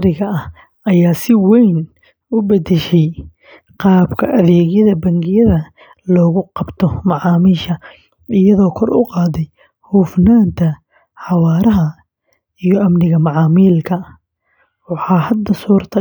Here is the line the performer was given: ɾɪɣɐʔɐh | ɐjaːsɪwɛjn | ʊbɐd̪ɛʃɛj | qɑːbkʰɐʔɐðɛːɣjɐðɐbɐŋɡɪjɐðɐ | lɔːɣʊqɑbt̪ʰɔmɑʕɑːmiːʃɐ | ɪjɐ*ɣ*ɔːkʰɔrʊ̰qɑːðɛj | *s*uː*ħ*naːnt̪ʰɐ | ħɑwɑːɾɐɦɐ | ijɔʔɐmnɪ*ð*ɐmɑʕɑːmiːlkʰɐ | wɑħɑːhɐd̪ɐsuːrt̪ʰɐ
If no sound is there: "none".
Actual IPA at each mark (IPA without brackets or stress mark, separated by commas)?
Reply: ð, h, f, ɣ